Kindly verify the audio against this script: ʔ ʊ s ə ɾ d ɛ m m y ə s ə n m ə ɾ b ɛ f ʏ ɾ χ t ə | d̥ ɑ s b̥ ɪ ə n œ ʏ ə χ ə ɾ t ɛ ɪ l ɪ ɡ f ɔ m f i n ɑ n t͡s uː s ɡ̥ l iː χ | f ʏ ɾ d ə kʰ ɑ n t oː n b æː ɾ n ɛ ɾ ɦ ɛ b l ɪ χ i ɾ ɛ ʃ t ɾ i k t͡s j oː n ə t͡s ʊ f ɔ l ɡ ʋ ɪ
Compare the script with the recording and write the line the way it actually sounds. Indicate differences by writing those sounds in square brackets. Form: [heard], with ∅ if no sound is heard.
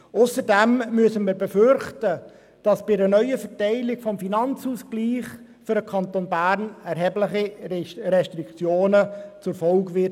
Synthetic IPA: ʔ ʊ s ə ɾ d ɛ m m y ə s ə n m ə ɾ b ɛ f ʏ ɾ χ t ə | d̥ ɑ s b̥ ɪ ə n œ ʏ ə [f] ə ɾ t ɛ ɪ l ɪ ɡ f ɔ m f i n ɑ n t͡s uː s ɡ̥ l iː χ | f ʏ ɾ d ə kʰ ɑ n t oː n b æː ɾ n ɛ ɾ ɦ ɛ b l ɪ χ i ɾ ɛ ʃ t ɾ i k t͡s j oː n ə t͡s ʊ f ɔ l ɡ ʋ ɪ